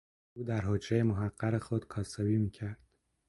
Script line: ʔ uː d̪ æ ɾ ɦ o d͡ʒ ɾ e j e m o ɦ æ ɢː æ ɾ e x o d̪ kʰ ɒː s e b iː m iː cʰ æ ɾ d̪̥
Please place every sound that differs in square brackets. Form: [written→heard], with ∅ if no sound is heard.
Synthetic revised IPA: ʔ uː d̪ æ ɾ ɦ o d͡ʒ ɾ e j e m o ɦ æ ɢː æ ɾ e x o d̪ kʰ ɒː s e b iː m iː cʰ æ ɾ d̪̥